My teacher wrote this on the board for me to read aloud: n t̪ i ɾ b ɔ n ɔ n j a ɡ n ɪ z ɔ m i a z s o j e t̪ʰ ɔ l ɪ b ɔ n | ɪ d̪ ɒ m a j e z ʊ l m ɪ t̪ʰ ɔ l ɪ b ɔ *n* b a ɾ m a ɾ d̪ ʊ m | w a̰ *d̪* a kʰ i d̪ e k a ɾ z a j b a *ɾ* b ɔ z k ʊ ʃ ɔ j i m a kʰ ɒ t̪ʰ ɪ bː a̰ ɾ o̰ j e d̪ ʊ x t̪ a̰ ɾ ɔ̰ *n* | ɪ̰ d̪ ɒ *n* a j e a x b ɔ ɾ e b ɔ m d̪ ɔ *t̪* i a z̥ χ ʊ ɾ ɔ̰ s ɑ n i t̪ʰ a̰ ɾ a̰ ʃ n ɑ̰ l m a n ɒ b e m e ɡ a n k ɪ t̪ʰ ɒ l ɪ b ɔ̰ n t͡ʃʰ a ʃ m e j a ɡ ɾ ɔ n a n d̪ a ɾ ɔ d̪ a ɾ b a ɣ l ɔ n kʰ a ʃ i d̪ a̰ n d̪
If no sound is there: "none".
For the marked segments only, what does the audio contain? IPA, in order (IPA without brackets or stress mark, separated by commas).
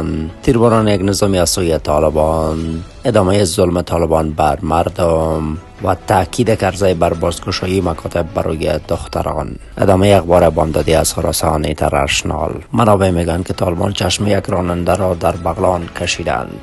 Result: n, t̪, ɾ, n, m, d̪